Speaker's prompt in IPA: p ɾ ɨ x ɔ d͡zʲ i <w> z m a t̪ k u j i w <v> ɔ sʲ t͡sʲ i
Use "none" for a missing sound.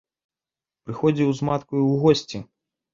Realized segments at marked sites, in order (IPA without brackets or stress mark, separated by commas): w, ɣ